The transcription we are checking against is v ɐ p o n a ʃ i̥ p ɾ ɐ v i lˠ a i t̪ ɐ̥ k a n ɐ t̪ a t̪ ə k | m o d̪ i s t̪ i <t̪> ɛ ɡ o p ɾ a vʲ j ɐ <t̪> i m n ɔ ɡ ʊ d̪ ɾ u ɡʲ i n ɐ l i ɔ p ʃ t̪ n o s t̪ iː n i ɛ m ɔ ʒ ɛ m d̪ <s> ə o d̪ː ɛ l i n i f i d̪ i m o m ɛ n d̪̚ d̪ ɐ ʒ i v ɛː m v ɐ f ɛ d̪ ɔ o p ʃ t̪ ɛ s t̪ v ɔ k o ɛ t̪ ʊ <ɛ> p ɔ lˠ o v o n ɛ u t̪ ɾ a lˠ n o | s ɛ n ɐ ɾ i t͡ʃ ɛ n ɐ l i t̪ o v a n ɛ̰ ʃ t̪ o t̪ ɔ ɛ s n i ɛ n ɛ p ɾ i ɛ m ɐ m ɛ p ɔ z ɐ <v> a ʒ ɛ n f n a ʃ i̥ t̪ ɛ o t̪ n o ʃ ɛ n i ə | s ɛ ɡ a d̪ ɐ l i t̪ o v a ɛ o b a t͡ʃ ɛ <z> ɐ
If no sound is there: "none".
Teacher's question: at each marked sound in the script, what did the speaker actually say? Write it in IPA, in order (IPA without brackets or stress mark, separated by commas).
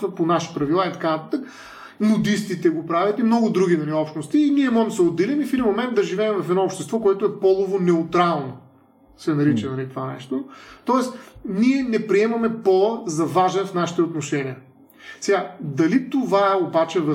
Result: t̪, t̪, s, ɛ, v, v